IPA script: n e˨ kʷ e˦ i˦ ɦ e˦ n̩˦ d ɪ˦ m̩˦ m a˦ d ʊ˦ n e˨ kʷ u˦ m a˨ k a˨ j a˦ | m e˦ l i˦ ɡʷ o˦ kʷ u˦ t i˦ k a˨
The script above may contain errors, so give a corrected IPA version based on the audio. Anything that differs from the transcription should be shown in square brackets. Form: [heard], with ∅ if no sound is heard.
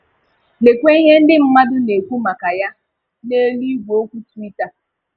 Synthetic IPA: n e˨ kʷ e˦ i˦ ɦ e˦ n̩˦ d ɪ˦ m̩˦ m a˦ d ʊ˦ n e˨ kʷ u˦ m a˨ k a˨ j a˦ | [n] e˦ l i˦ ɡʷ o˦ kʷ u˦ t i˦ [t] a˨